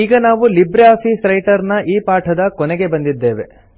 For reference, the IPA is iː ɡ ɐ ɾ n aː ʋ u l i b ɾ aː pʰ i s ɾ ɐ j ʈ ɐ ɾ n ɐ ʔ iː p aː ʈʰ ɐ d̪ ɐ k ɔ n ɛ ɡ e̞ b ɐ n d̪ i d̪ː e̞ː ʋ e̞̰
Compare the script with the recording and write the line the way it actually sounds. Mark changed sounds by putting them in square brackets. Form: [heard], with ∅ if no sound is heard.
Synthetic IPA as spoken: iː ɡ ɐ [∅] n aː ʋ u l i b ɾ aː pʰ i s ɾ ɐ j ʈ ɐ ɾ n ɐ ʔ iː p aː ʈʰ ɐ d̪ ɐ k ɔ n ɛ ɡ e̞ b ɐ n d̪ i d̪ː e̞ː ʋ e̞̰